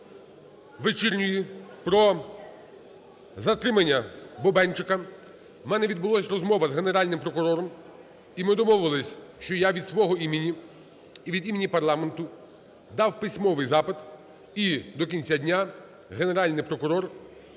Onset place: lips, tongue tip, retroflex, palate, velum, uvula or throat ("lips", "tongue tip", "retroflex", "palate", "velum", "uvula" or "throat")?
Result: lips